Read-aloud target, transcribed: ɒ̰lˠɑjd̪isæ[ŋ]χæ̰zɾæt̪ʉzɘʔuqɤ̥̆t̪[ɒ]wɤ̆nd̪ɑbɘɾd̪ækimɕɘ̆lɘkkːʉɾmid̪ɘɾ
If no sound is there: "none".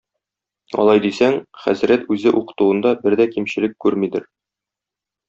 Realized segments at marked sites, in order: ŋ, u

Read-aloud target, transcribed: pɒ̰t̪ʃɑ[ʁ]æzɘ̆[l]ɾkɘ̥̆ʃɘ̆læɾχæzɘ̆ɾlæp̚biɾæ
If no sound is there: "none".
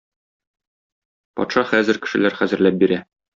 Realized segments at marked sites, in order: χ, none

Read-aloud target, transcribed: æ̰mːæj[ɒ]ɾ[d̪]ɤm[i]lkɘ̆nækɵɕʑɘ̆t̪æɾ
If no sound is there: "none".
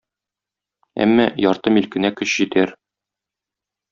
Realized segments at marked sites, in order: ɒ, t̪, i

